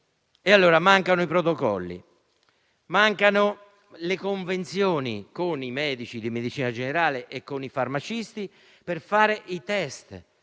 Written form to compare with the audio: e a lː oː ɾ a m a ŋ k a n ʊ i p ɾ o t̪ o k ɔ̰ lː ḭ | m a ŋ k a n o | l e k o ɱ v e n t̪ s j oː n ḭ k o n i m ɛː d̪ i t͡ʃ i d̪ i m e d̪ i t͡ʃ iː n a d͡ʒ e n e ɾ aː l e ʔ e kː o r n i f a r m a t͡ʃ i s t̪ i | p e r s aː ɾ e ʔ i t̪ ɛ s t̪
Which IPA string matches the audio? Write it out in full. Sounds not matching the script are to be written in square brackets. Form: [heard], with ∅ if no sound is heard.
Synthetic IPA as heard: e a lː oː ɾ a m a ŋ k a n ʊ i p ɾ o t̪ o k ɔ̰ lː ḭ | m a ŋ k a n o | l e k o ɱ v e n t̪ s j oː n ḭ k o n i m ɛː d̪ i t͡ʃ i d̪ i m e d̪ i t͡ʃ iː n a d͡ʒ e n e ɾ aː l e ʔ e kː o [∅] n i f a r m a t͡ʃ i s t̪ i | p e r [f] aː ɾ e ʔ i t̪ ɛ s t̪